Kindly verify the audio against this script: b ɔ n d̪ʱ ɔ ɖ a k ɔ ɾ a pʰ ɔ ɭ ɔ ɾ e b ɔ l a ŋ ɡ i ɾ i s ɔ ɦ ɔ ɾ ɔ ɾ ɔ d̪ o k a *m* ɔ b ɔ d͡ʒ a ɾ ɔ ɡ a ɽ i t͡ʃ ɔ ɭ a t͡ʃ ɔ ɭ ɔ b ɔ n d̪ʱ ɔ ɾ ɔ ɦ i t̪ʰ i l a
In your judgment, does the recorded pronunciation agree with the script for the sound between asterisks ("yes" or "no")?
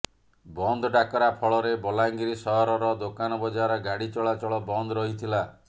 no